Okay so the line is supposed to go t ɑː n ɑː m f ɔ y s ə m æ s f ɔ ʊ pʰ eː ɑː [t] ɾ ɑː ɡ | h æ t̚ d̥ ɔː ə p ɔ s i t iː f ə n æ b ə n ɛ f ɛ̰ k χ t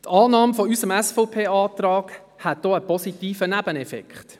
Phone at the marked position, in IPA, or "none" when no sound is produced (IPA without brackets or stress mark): t